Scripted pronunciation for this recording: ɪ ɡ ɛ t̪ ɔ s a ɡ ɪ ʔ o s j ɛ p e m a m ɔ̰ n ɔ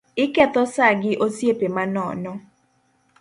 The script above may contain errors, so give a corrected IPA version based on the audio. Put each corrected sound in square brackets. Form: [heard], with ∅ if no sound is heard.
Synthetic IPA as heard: ɪ [k] ɛ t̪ ɔ s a ɡ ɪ ʔ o s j [e] p e m a [n] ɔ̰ n ɔ